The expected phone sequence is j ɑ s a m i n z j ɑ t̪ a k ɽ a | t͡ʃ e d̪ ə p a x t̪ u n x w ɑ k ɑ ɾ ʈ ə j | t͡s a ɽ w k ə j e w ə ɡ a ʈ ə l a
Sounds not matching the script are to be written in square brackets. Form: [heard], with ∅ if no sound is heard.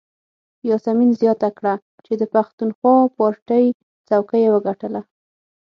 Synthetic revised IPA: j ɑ s a m i n z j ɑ t̪ a k ɽ a | t͡ʃ e d̪ ə p a x t̪ u n x w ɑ [p] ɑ ɾ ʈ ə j | t͡s a [∅] w k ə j e w ə ɡ a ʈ ə l a